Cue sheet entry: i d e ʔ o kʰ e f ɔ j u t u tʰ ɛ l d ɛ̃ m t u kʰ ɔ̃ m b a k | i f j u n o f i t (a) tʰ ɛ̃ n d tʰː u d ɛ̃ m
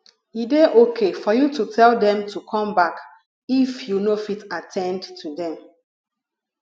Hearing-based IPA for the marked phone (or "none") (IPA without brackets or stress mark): a